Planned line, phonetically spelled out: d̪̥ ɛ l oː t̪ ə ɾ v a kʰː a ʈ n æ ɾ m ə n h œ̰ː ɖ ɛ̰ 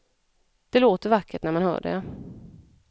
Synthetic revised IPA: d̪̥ ɛ l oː t̪ ə ɾ v a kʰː ə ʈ n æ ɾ m a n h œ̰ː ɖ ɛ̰